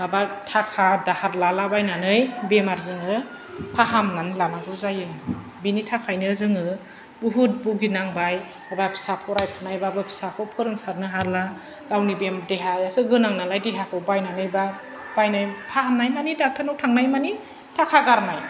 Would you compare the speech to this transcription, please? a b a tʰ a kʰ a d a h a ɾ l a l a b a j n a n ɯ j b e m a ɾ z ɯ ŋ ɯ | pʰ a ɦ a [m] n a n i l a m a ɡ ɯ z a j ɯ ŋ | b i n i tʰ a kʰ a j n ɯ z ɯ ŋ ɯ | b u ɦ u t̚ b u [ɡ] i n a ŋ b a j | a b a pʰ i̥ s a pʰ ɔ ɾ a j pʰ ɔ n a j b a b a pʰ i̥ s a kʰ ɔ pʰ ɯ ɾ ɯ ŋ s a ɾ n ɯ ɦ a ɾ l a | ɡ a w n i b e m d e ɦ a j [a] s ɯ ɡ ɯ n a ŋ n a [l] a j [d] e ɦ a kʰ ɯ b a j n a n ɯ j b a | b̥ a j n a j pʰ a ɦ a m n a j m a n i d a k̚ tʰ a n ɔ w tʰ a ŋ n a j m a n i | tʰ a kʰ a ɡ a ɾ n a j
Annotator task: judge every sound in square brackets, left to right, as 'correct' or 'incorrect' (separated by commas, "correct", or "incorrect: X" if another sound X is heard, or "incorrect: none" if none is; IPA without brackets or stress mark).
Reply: correct, correct, correct, correct, correct